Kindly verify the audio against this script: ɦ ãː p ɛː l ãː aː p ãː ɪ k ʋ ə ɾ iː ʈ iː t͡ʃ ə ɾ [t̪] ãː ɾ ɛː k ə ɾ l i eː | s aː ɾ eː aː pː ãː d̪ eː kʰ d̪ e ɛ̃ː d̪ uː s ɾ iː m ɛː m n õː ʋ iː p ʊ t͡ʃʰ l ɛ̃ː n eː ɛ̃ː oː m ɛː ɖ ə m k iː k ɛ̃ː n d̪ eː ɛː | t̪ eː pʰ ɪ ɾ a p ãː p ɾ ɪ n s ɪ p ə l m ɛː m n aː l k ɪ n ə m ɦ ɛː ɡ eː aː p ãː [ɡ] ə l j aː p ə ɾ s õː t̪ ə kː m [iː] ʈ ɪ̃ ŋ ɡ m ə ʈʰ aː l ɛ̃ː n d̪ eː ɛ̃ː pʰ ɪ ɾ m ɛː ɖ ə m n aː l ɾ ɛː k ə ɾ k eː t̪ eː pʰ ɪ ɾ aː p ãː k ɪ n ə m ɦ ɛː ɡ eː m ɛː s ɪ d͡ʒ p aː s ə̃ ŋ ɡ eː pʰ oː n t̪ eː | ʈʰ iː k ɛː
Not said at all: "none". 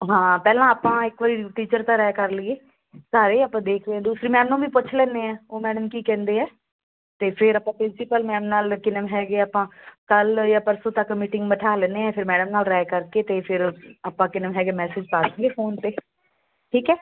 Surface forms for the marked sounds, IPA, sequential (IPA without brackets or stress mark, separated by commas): t̪, k, iː